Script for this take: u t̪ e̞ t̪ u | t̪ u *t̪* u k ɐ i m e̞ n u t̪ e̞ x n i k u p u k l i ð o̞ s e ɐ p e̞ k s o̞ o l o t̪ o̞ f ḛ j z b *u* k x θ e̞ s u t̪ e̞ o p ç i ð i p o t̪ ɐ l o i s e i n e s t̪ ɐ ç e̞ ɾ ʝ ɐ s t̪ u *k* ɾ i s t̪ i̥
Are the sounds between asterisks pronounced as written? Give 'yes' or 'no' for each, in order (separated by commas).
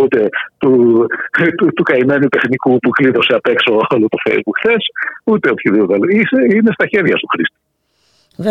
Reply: yes, yes, no